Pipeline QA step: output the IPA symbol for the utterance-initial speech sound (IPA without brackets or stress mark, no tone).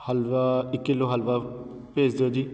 h